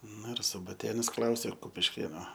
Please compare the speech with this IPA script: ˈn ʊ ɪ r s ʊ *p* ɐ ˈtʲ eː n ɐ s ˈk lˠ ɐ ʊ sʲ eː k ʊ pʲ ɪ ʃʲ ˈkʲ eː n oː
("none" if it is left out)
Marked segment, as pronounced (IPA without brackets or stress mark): b